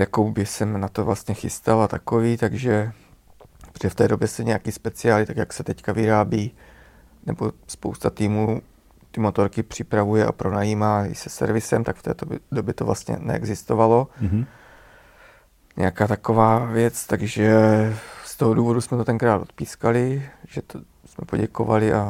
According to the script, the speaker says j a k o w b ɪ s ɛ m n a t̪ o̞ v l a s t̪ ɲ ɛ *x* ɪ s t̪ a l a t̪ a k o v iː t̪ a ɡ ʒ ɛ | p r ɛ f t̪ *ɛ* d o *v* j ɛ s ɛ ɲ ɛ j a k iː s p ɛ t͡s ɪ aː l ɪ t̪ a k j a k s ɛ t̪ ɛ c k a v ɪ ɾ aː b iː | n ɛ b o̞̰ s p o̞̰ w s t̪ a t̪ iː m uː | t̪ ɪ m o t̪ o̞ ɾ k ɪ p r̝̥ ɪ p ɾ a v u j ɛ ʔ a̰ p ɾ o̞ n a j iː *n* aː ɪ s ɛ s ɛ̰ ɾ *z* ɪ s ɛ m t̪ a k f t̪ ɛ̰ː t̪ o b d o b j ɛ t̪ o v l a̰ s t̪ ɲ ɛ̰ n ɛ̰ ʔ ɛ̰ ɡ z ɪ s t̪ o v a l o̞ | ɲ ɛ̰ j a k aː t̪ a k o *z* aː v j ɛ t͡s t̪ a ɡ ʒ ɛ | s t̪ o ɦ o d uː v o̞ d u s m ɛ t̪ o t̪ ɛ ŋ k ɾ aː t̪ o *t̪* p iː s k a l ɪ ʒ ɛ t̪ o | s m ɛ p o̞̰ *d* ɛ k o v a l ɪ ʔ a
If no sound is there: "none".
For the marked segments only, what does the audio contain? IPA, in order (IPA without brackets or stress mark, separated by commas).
x, ɛː, b, m, v, v, t̪, ɟ